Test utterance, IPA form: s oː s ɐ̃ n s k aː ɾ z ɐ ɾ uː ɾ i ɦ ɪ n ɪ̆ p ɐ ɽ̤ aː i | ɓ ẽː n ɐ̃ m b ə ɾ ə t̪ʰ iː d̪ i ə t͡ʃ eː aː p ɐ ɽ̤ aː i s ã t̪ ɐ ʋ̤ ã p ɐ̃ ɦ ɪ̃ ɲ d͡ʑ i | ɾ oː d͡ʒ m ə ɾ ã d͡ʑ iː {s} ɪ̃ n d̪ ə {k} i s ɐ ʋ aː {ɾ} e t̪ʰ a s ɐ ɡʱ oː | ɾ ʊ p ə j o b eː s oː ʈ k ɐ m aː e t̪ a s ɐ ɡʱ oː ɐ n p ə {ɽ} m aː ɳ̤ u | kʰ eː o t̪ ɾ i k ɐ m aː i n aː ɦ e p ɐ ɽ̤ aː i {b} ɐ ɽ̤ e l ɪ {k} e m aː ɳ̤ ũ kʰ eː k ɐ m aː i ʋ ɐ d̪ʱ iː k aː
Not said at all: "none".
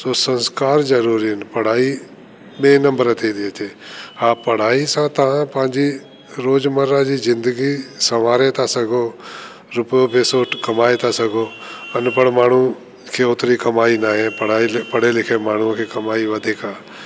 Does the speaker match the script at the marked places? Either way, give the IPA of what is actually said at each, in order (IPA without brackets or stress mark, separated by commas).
z, ɡ, ɾ, ɽ, p, kʰ